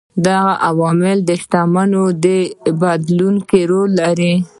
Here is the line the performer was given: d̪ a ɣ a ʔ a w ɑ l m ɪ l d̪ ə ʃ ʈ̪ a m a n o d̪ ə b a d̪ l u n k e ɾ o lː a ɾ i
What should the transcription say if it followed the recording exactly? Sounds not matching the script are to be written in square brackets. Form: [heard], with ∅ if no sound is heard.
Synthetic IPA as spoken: d̪ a ɣ a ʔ a w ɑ [∅] m ɪ l d̪ ə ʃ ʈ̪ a m a n o d̪ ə b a d̪ l u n k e ɾ o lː a ɾ i